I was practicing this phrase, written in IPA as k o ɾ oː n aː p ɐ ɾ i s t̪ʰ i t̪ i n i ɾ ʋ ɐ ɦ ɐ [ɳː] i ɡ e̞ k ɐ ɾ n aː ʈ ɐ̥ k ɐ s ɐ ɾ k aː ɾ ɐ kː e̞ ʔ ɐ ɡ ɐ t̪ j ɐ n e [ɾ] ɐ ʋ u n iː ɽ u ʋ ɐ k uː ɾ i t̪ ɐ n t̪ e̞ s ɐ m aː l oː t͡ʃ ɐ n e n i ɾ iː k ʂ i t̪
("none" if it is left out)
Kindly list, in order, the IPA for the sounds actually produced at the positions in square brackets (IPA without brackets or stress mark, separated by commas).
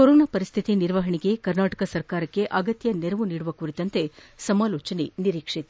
ɳ, ɾ